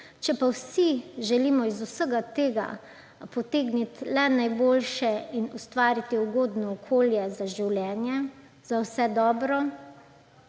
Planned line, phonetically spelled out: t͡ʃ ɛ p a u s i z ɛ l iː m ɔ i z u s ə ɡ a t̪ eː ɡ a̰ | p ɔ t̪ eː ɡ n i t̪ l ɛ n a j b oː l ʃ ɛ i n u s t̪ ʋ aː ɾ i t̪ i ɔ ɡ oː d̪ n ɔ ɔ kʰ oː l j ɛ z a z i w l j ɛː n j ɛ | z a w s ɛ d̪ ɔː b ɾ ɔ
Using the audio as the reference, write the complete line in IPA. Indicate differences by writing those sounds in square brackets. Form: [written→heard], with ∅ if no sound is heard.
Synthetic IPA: t͡ʃ ɛ p a [u→w] s i [z→ʒ] ɛ l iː m ɔ i z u s ə ɡ a t̪ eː ɡ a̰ | p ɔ t̪ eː ɡ n i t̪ l ɛ n a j b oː l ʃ ɛ i n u s t̪ ʋ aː ɾ i t̪ i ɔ ɡ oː d̪ n ɔ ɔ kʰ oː l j ɛ z a [z→ʒ] i w l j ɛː n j ɛ | z a w s ɛ d̪ ɔː b ɾ ɔ